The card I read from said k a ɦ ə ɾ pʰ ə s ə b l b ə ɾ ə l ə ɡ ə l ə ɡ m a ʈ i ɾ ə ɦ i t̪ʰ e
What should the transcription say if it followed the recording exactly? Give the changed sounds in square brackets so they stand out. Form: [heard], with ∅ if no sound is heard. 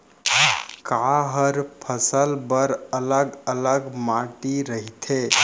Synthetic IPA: k a ɦ ə ɾ pʰ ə s ə [∅] l b ə ɾ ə l ə ɡ ə l ə ɡ m a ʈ i ɾ ə ɦ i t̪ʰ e